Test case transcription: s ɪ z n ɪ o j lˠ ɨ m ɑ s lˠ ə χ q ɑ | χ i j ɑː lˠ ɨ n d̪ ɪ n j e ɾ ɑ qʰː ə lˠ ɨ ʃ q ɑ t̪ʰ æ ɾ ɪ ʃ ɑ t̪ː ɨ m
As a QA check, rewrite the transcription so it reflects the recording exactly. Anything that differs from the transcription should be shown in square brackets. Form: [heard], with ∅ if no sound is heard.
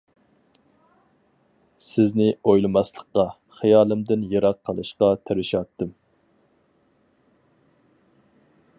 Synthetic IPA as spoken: s ɪ z n ɪ o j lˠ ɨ m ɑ s lˠ ə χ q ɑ | χ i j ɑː lˠ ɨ [m] d̪ ɪ n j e ɾ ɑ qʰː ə lˠ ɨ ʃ q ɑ t̪ʰ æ ɾ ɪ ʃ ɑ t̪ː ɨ m